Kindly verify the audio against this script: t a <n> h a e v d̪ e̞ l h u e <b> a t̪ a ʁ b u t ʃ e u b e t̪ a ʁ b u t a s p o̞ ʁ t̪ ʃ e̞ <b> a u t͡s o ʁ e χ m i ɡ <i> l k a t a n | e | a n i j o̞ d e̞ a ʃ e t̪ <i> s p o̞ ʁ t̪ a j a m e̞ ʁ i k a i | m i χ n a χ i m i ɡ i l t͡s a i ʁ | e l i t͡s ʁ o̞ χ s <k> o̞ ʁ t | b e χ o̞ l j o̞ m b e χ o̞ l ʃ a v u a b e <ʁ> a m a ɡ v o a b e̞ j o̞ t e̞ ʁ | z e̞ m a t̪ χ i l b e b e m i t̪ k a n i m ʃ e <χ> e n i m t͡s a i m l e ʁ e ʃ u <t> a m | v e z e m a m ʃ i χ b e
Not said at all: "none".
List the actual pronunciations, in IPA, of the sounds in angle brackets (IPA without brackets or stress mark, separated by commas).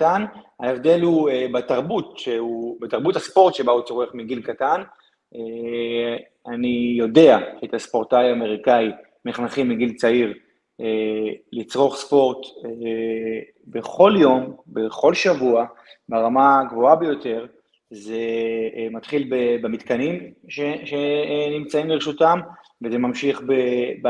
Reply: n, b, b, i, a, p, ʁ, ʃ, t